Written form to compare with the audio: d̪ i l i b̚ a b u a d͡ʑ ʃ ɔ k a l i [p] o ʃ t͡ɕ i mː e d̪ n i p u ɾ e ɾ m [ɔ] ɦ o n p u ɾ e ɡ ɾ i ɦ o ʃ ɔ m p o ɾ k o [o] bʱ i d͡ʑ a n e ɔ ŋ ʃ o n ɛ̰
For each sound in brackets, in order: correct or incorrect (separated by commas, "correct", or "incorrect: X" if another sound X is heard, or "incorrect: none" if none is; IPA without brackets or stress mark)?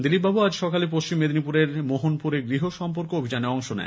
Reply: correct, incorrect: o, correct